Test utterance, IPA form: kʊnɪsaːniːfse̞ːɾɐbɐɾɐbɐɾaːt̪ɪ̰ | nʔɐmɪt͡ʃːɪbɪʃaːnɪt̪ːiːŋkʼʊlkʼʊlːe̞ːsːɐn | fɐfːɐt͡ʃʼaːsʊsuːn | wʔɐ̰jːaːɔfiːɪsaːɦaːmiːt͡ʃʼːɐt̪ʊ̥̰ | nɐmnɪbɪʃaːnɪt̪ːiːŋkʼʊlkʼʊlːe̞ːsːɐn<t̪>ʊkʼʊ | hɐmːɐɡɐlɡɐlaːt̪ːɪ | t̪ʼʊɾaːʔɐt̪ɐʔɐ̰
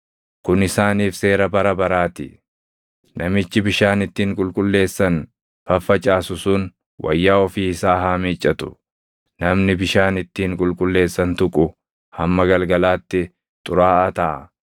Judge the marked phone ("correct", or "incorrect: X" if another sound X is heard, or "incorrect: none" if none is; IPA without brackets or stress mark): correct